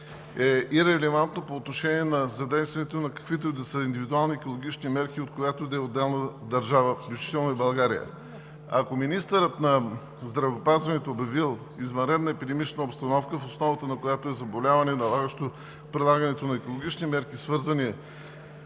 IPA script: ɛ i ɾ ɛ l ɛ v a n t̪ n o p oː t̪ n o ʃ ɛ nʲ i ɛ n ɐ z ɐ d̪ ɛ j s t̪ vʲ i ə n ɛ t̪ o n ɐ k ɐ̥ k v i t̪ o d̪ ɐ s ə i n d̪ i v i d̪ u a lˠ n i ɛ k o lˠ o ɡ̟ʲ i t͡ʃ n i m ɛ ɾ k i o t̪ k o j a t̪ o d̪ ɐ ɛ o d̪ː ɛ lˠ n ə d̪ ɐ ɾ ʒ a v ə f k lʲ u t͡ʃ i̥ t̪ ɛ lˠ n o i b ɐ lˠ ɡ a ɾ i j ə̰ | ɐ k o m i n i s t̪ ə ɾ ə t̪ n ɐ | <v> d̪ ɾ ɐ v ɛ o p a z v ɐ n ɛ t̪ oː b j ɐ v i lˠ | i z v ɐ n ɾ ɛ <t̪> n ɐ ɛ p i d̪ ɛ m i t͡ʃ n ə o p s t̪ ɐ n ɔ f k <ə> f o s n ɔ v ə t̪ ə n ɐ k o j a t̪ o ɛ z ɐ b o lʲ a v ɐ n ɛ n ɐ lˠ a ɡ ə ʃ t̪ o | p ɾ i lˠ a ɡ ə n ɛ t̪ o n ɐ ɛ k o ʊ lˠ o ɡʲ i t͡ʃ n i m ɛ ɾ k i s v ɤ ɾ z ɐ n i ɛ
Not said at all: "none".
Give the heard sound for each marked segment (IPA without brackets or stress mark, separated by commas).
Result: z, d̪, ə